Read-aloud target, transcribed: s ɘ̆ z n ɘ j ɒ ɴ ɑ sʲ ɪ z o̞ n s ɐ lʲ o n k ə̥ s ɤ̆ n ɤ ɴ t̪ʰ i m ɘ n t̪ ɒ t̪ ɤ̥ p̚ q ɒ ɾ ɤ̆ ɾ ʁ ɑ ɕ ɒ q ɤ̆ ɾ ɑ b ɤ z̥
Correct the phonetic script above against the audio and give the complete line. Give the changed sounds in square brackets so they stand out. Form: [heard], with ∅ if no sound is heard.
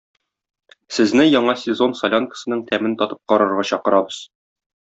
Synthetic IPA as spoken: s ɘ̆ z n ɘ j ɒ ɴ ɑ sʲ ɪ z o̞ n s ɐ lʲ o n k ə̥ s ɤ̆ n ɤ ɴ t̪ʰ [æ] m ɘ n t̪ ɒ t̪ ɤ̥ p̚ q ɒ ɾ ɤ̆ ɾ ʁ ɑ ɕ ɒ q ɤ̆ ɾ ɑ b ɤ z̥